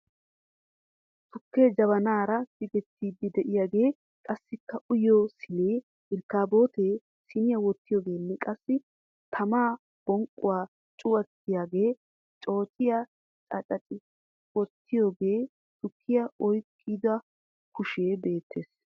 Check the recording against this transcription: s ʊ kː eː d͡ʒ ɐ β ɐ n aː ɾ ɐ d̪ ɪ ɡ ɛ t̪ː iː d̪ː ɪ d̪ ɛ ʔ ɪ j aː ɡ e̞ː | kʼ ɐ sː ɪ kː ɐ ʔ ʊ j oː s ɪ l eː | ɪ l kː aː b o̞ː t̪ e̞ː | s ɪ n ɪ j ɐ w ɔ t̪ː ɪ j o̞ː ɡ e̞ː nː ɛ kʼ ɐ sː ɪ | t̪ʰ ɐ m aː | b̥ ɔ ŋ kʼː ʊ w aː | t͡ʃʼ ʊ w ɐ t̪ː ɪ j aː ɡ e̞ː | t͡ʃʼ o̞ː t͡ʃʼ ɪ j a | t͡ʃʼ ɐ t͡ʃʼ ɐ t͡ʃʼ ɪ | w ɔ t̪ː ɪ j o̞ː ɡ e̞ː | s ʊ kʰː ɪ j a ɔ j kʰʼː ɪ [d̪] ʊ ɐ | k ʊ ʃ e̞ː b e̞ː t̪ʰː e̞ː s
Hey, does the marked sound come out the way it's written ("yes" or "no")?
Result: yes